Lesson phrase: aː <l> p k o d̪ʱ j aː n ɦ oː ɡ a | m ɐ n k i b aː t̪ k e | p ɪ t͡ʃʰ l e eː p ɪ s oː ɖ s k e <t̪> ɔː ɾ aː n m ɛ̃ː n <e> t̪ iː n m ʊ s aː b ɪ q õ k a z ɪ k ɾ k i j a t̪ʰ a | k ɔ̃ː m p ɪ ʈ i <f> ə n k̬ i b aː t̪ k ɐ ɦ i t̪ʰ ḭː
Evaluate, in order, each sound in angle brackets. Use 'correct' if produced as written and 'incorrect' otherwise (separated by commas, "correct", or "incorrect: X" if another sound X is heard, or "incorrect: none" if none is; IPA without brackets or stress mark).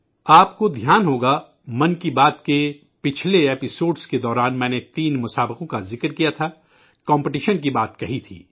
incorrect: none, incorrect: d̪, correct, incorrect: ʃ